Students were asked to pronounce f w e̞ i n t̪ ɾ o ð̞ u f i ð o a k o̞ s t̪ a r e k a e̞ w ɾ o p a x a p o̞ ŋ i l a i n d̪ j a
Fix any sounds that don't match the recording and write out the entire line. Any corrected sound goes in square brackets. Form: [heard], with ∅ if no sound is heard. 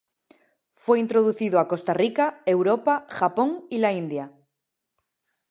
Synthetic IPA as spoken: f w e̞ i n t̪ ɾ o ð̞ u [θ] i ð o a k o̞ s t̪ a r [i] k a e̞ w ɾ o p a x a p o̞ ŋ i l a i n d̪ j a